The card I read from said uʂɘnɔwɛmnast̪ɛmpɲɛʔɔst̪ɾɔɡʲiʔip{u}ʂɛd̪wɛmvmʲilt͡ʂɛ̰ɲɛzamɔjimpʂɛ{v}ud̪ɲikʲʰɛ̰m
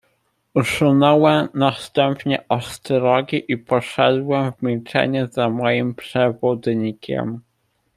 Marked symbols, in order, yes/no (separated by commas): no, yes